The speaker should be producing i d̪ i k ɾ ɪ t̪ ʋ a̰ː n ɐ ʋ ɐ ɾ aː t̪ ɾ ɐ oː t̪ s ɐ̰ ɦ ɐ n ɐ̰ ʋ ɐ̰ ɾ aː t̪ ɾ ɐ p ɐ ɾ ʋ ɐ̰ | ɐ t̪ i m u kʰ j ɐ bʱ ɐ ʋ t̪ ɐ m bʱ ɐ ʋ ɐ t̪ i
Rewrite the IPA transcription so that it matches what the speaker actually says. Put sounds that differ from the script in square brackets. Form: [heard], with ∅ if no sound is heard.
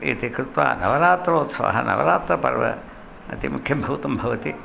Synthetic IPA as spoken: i [t̪] i k ɾ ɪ t̪ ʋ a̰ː n ɐ ʋ ɐ ɾ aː t̪ ɾ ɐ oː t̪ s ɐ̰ ɦ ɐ n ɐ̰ ʋ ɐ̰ ɾ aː t̪ ɾ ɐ p ɐ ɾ ʋ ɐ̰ | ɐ t̪ i m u kʰ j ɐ bʱ ɐ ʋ t̪ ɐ m bʱ ɐ ʋ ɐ t̪ i